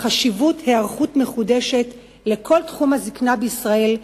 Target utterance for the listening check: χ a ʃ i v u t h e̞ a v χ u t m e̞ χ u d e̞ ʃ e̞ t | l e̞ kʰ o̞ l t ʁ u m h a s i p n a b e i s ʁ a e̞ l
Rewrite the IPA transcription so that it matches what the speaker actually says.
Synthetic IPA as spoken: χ a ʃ i v u t h e̞ a ʁ χ u t m e̞ χ u d e̞ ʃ e̞ t | l e̞ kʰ o̞ l t χ u m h a z i k n a b e i s ʁ a e̞ l